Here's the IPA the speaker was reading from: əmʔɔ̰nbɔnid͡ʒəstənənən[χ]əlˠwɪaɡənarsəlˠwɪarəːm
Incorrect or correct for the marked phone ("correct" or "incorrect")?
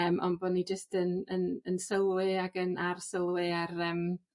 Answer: incorrect